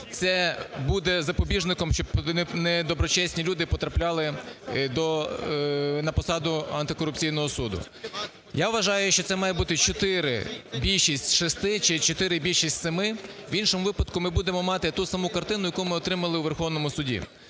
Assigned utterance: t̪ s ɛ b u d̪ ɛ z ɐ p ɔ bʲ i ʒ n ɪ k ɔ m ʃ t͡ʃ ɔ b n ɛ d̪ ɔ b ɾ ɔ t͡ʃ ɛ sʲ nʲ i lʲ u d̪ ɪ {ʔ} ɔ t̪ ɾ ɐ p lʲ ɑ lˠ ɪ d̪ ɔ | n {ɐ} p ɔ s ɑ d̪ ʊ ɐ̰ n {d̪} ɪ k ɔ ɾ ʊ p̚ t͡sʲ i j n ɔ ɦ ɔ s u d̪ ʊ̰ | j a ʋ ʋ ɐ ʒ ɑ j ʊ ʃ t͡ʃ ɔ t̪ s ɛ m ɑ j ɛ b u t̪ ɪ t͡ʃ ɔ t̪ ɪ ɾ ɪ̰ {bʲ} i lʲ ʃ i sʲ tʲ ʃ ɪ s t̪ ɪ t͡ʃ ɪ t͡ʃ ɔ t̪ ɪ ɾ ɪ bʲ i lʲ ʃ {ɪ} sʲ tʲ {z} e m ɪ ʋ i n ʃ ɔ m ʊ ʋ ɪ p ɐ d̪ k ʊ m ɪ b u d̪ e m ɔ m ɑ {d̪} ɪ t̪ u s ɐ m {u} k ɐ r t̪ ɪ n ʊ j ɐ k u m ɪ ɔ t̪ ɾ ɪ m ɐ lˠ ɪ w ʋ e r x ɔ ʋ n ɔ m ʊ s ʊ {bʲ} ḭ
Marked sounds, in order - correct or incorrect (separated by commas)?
incorrect, correct, incorrect, correct, incorrect, incorrect, incorrect, correct, incorrect